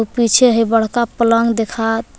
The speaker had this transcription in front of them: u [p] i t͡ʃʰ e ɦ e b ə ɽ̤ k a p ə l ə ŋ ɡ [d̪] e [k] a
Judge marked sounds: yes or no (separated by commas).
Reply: yes, yes, no